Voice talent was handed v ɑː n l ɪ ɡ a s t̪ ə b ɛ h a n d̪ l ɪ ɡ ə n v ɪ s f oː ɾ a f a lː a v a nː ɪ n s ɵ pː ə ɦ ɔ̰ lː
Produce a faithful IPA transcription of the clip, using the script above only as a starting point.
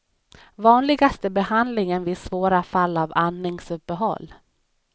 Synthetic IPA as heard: v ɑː n l ɪ ɡ a s t̪ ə b ɛ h a n d̪ l ɪ ŋ ə n v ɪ s v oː ɾ a f a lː a v a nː ɪ ŋ s ɵ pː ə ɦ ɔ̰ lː